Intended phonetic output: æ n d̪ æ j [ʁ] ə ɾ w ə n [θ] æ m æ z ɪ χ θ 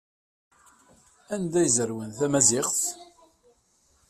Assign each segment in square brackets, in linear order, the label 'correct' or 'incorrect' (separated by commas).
incorrect, correct